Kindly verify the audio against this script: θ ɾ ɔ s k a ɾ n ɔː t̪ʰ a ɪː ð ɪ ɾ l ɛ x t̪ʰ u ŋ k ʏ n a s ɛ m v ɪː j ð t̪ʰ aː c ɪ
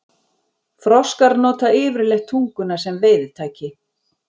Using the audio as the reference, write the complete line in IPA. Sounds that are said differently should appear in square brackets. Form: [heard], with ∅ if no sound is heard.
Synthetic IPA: [f] ɾ ɔ s k a ɾ n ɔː [t̪] a ɪː [v] ɪ ɾ l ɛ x t̪ʰ u ŋ k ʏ n a s ɛ m v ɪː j ð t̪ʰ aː c ɪ